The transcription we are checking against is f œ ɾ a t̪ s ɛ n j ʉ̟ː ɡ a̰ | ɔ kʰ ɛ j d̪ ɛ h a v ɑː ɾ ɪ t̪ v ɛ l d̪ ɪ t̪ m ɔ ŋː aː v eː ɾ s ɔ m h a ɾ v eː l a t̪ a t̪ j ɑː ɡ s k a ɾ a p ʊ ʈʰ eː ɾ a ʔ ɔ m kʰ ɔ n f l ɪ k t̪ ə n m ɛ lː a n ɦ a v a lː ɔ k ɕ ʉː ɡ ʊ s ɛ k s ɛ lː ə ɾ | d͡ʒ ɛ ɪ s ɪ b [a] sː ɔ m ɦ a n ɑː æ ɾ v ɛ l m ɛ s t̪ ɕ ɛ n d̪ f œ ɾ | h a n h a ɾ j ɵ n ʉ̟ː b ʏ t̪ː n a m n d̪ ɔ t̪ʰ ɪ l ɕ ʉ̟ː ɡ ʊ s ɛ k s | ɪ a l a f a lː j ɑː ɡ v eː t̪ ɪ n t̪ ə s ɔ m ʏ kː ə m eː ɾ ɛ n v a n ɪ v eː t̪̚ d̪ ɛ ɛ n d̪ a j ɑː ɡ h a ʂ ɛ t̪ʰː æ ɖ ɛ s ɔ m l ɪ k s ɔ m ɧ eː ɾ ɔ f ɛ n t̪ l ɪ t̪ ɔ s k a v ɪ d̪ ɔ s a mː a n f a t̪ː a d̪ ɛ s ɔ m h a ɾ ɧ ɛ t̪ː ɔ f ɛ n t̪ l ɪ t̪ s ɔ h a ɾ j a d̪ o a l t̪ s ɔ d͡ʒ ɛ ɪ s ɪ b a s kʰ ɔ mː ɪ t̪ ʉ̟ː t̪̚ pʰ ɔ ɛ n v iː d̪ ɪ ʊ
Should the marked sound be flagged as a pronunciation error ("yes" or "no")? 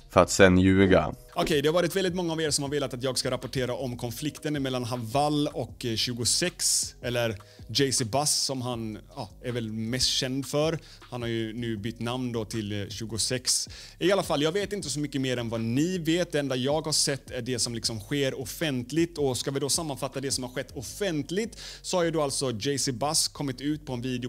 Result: no